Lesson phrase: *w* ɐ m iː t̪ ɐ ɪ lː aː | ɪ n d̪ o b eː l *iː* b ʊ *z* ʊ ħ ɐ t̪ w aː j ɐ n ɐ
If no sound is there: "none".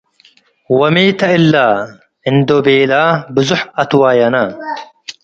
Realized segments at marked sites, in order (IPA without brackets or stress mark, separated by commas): w, aː, z